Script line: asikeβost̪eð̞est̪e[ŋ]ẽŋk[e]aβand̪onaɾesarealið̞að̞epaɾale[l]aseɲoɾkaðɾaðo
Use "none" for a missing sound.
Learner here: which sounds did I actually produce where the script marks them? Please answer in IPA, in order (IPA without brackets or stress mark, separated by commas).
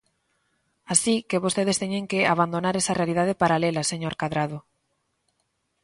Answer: ɲ, e, l